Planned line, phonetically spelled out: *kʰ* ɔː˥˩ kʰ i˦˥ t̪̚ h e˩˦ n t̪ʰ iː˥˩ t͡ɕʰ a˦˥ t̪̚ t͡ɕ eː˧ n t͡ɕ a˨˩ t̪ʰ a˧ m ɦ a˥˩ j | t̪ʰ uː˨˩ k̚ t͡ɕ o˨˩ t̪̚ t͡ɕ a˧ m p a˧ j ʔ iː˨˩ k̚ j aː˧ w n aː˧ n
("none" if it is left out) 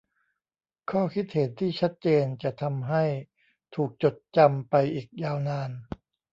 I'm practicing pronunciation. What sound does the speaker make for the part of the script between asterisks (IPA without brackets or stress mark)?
kʰ